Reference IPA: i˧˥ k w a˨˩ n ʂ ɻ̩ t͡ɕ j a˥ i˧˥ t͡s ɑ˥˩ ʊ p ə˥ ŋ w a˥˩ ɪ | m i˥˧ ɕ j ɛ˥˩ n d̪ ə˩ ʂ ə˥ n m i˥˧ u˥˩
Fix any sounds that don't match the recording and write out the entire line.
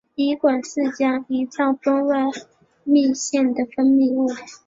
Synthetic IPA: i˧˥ k w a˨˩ n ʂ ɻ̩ t͡ɕ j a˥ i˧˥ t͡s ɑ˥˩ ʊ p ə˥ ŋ w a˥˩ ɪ | m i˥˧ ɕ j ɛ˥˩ n d̪ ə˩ f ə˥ n m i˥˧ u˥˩